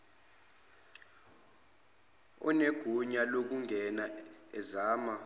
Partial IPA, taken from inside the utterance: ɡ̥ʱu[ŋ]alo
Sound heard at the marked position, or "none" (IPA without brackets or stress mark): ɲ